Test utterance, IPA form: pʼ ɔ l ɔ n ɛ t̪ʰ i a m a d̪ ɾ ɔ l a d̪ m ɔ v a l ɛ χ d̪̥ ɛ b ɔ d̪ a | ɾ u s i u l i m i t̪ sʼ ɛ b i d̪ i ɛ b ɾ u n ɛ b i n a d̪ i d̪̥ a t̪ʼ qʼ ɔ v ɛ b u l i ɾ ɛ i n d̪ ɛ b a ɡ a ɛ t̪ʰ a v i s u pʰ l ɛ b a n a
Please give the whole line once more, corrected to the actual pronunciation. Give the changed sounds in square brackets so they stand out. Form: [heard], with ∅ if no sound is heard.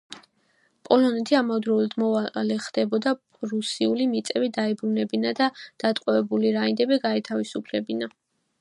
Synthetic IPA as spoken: pʼ ɔ l ɔ n ɛ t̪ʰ i a m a d̪ ɾ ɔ l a d̪ m ɔ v a l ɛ χ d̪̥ ɛ b ɔ d̪ a | ɾ u s i u l i m i t̪ sʼ ɛ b i d̪ [a] ɛ b ɾ u n ɛ b i n a d̪ [a] d̪̥ a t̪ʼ qʼ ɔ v ɛ b u l i ɾ [a] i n d̪ ɛ b [i] ɡ a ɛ t̪ʰ a v i s u pʰ l ɛ b [i] n a